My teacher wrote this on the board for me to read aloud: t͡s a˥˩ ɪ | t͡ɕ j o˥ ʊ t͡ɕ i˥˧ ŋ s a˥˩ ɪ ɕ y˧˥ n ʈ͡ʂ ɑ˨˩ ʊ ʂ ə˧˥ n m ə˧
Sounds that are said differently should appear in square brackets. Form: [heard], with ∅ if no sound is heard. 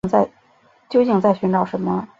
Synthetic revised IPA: t͡s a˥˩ ɪ | t͡ɕ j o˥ ʊ t͡ɕ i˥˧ ŋ [t͡s] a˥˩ ɪ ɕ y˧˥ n ʈ͡ʂ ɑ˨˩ ʊ ʂ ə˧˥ n m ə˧